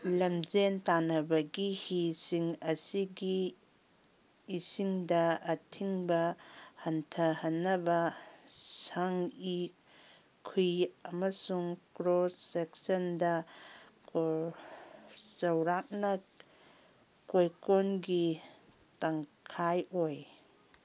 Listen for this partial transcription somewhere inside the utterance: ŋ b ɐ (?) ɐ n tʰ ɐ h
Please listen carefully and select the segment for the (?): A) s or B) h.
B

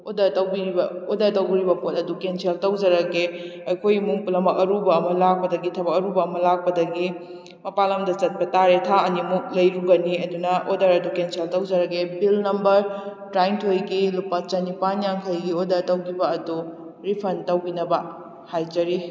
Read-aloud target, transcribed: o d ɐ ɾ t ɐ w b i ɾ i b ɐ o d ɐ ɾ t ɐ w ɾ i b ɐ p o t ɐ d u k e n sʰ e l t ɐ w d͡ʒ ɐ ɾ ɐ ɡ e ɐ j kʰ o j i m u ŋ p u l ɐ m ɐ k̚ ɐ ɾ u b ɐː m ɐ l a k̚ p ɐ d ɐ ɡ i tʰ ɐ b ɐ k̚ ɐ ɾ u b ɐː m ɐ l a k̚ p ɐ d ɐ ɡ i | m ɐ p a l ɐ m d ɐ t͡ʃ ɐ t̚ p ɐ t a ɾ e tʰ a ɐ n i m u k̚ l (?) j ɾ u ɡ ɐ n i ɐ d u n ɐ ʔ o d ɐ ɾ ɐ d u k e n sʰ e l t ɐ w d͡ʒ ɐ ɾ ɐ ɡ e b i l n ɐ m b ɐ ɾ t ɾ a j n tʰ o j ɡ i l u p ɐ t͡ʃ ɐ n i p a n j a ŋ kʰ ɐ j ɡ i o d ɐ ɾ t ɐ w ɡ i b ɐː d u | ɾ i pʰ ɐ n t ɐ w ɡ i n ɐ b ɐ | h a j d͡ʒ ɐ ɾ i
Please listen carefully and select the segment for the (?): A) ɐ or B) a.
A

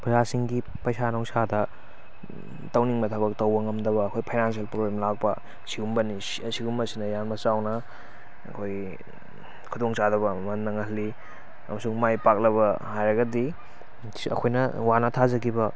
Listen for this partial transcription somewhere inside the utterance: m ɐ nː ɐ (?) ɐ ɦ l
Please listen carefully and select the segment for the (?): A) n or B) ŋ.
B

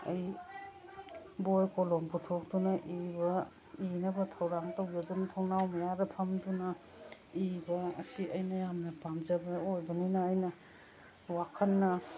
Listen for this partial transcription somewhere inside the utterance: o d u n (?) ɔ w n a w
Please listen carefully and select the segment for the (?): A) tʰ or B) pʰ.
A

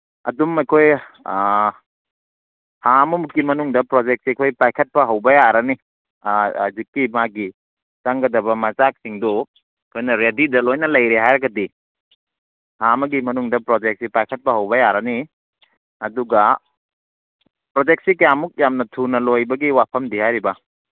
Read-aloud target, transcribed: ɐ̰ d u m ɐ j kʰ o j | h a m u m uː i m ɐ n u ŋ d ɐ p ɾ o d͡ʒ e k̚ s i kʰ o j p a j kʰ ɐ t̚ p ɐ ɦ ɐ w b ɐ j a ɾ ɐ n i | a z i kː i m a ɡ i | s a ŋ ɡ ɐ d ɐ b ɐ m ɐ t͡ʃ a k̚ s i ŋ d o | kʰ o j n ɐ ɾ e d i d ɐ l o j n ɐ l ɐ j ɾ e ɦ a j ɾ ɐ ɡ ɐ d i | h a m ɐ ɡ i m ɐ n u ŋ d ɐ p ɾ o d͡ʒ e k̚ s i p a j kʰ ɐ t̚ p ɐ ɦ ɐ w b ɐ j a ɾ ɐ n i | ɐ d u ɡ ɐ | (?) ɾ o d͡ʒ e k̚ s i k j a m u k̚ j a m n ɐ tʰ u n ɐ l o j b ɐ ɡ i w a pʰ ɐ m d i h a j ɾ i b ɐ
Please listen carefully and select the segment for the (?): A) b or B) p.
B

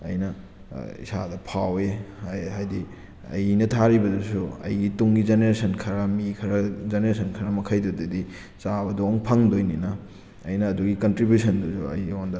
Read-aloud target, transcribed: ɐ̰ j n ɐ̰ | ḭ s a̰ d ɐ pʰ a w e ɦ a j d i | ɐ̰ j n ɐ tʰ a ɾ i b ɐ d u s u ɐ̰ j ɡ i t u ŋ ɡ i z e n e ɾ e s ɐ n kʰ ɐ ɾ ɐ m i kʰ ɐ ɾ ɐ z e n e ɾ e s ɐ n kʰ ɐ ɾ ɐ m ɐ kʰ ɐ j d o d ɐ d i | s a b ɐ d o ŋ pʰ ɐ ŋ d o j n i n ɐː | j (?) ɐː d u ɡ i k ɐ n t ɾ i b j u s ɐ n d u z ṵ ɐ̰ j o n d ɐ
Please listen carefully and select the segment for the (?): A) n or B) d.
A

